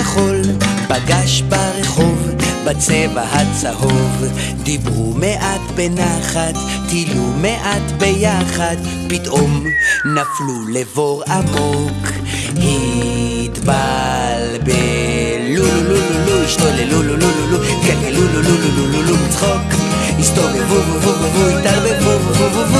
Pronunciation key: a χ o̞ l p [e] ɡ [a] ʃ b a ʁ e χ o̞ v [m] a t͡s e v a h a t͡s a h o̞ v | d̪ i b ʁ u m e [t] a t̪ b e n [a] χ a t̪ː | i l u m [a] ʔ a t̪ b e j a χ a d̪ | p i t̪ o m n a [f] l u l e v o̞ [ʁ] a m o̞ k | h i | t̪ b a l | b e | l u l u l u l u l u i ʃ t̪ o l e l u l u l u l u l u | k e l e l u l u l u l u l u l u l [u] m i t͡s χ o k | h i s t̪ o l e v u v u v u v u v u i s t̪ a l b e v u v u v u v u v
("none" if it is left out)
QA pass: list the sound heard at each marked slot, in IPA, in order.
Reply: a, a, b, ʔ, a, e, f, ʁ, u

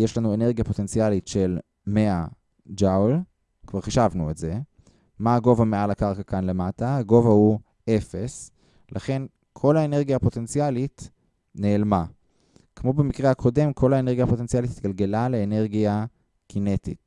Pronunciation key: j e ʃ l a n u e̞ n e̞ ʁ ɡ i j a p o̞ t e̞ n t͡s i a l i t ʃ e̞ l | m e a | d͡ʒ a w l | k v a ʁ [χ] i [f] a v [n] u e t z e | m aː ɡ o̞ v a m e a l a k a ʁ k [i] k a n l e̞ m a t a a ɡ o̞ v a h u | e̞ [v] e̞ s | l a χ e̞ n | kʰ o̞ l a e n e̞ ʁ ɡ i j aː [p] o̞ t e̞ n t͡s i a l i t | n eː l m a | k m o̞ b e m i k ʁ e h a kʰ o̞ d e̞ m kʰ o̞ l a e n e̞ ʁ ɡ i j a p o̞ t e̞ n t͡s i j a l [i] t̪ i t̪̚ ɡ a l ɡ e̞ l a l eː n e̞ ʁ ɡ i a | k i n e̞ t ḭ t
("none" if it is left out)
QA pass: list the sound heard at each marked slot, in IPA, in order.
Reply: χ, ʃ, n, a, f, p, i

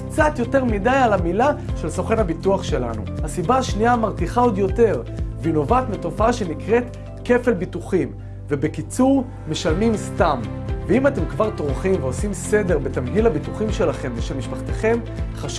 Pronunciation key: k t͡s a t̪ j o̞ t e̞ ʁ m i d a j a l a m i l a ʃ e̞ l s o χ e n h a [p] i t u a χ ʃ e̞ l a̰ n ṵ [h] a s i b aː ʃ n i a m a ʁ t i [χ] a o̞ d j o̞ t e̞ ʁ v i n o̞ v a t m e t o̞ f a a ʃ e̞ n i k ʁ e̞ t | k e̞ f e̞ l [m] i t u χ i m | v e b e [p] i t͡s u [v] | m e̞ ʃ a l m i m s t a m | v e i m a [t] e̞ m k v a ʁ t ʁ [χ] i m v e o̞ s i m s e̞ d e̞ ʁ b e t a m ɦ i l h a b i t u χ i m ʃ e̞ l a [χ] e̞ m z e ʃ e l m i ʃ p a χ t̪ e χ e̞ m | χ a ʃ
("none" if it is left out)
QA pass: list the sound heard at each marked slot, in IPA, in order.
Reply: b, h, χ, b, k, ʁ, t, χ, χ

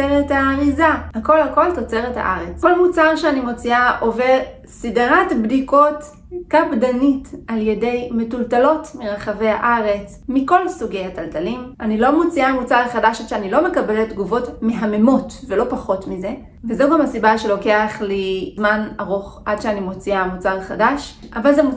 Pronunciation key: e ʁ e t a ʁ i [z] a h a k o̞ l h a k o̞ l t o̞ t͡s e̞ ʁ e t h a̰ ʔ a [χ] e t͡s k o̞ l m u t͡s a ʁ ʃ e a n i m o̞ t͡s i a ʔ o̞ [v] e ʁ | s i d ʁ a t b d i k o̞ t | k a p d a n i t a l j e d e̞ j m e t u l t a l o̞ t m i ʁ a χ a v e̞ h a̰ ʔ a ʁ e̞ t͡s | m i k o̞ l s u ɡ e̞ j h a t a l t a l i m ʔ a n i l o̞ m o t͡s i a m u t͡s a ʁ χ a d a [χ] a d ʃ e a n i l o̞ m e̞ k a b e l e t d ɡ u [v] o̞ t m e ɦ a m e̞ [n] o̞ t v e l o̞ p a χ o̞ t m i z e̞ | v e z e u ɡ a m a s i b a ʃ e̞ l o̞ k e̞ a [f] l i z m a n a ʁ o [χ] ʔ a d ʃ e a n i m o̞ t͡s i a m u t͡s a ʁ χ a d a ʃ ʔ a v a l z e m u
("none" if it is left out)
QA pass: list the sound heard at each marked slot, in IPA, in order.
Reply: z, ʁ, v, ʃ, v, m, χ, χ

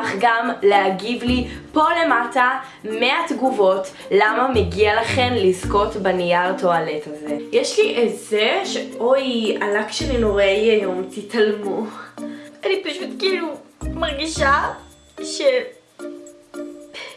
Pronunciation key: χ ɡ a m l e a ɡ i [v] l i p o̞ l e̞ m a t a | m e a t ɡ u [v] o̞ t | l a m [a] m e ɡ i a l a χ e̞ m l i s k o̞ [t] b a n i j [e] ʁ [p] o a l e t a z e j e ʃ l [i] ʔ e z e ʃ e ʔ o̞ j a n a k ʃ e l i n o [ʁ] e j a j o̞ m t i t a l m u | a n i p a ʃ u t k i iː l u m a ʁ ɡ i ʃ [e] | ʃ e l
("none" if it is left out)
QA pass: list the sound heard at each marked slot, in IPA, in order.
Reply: v, v, a, t, a, t, i, ʁ, a

